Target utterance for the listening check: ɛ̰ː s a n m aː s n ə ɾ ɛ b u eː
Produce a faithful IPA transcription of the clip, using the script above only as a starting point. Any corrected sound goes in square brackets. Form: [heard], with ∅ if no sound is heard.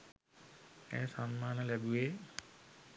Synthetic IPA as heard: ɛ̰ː s a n m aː [∅] n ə [l] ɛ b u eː